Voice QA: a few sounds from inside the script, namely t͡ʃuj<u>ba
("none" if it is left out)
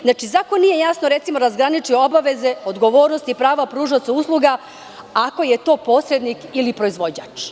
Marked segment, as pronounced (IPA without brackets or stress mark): o